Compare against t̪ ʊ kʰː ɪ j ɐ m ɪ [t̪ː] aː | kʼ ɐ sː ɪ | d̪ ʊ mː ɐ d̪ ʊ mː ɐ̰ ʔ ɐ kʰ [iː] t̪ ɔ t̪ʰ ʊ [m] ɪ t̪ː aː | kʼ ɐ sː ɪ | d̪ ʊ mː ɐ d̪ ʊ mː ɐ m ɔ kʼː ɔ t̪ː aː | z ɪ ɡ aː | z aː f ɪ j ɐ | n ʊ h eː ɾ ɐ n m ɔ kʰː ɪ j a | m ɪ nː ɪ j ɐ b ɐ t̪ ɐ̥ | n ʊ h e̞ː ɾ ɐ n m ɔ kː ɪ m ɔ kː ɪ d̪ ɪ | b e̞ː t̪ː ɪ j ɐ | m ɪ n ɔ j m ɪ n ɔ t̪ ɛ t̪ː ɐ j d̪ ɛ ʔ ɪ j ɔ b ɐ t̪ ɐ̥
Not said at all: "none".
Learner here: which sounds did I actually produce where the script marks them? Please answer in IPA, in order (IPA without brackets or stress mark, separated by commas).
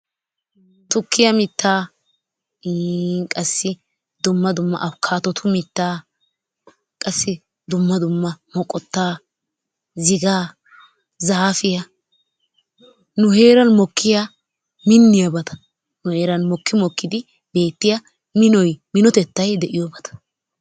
t̪ː, aː, m